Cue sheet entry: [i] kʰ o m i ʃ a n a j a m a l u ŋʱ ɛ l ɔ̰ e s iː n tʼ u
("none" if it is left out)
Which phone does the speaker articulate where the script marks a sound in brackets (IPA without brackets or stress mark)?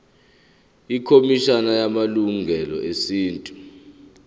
i